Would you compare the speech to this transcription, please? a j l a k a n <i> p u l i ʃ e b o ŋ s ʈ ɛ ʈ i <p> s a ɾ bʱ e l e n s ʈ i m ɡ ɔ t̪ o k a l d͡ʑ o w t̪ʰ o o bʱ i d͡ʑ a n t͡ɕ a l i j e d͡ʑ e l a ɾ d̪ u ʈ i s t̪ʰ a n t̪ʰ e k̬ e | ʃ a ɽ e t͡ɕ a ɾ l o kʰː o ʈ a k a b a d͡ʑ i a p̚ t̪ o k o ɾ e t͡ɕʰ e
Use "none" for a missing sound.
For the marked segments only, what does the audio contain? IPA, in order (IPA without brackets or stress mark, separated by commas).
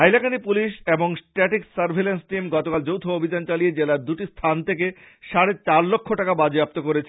i, k